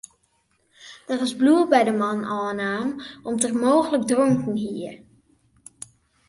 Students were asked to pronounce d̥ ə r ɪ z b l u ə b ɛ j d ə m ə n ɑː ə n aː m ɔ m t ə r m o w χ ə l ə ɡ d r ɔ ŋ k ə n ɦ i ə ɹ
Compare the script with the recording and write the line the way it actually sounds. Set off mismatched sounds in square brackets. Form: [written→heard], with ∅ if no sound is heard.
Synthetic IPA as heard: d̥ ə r ɪ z b l u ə b ɛ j d ə m [ə→ɑ] n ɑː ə n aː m ɔ m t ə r m o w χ ə l ə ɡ d r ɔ ŋ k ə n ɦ i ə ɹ